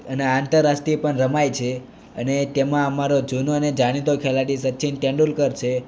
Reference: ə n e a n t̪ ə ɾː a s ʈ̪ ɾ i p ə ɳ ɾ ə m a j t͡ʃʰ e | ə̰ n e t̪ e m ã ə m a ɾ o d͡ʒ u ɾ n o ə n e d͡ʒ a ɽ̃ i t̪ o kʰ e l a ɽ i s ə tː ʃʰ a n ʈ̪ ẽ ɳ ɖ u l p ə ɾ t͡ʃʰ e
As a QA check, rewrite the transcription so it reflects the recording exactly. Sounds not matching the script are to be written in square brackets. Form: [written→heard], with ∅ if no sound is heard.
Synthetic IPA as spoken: ə n e a n t̪ ə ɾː a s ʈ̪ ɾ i p ə ɳ ɾ ə m a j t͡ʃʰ e | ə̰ n e t̪ e m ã ə m a ɾ o d͡ʒ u [ɾ→∅] n o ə n e d͡ʒ a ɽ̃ i t̪ o kʰ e l a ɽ i s ə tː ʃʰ [a→i] n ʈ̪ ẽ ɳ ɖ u l [p→k] ə ɾ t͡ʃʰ e

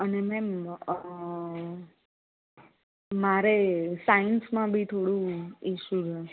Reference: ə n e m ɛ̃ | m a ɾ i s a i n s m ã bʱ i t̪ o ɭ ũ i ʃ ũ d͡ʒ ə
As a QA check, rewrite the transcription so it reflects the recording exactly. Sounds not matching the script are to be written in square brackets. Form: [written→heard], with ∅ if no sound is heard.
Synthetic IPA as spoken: ə n e m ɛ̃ | m a ɾ [i→e] s a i n s m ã bʱ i [t̪→t̪ʰ] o [ɭ→ɽ] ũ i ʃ [ũ→u] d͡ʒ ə

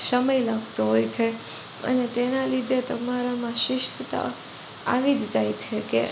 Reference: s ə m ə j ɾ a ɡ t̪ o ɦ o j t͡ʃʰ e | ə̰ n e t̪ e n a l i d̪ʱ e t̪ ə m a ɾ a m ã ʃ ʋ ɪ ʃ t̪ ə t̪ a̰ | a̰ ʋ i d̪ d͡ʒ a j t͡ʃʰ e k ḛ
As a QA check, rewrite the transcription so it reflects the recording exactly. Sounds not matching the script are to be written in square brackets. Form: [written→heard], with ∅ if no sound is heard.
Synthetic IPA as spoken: s ə m ə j [ɾ→l] a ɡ t̪ o ɦ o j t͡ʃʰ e | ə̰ n e t̪ e n a l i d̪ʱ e t̪ ə m a ɾ a m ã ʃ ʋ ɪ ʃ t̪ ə t̪ a̰ | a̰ ʋ i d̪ d͡ʒ a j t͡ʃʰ e k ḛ

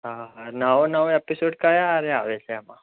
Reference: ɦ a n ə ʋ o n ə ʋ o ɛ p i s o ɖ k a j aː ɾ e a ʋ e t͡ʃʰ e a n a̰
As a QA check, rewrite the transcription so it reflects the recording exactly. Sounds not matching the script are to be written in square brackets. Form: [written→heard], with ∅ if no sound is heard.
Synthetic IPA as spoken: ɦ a n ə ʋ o n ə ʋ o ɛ p i s o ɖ k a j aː ɾ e a ʋ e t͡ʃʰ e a [n→m] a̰

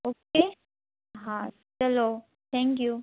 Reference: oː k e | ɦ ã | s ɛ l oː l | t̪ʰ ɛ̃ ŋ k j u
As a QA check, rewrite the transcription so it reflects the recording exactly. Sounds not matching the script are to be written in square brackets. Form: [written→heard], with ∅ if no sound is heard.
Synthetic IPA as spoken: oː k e | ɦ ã | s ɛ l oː [l→∅] | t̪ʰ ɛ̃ ŋ k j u

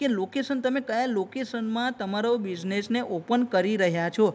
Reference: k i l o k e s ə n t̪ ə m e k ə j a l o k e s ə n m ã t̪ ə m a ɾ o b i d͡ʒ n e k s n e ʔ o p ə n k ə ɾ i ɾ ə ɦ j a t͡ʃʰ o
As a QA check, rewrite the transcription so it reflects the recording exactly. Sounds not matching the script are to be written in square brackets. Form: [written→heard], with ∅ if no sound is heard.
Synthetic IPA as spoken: k [i→e] l o k e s ə n t̪ ə m e k ə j a l o k e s ə n m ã t̪ ə m a ɾ o b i d͡ʒ n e [k→∅] s n e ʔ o p ə n k ə ɾ i ɾ ə ɦ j a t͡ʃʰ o

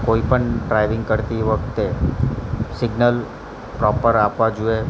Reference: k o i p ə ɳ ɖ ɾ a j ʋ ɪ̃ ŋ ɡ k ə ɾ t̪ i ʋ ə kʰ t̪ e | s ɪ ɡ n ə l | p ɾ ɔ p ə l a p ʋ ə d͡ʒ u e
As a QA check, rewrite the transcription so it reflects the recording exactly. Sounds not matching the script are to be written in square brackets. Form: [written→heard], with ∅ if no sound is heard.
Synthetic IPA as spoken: k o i p ə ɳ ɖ ɾ a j ʋ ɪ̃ ŋ ɡ k ə ɾ t̪ i ʋ ə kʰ t̪ e | s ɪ ɡ n ə l | p ɾ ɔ p ə [l→ɾ] a p ʋ [ə→a] d͡ʒ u e

